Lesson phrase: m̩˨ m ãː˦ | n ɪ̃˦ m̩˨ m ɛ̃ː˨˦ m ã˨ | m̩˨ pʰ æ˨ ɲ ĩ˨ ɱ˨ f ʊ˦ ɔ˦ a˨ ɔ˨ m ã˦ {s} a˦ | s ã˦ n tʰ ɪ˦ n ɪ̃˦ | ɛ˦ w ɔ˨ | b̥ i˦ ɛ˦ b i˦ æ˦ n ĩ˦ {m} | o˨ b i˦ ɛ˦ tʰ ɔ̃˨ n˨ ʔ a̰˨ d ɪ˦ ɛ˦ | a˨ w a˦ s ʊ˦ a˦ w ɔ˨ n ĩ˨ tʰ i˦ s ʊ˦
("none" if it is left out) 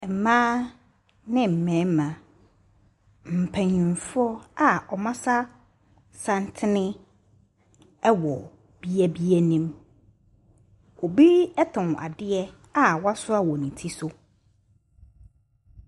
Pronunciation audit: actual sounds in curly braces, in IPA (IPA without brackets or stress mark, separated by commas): s, m